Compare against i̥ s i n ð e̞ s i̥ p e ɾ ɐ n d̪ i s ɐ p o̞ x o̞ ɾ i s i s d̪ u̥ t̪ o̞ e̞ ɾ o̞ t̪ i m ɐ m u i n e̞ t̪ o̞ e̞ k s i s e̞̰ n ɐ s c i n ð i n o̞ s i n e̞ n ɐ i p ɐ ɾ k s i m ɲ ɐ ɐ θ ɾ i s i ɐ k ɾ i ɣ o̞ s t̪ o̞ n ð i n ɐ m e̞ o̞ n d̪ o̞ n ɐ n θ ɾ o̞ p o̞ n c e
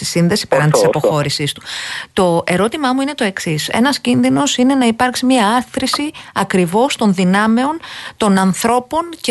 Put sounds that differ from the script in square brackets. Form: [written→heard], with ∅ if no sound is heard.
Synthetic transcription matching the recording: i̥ s i n ð e̞ s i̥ p e ɾ ɐ n [d̪→t̪] i s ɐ p o̞ x o̞ ɾ i s i s [d̪→t̪] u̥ t̪ o̞ e̞ ɾ o̞ t̪ i m ɐ m u i n e̞ t̪ o̞ e̞ k s i s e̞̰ n ɐ s c i n ð i n o̞ s i n e̞ n ɐ i p ɐ ɾ k s i m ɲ ɐ ɐ θ ɾ i s i ɐ k ɾ i [ɣ→v] o̞ s t̪ o̞ n ð i n ɐ m e̞ o̞ n [d̪→t̪] o̞ n ɐ n θ ɾ o̞ p o̞ n c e